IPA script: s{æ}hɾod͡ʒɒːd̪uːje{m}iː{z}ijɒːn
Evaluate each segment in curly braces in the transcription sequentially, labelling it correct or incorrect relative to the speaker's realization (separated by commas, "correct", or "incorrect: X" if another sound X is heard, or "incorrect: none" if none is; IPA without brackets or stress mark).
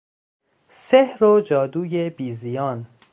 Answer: incorrect: e, incorrect: b, correct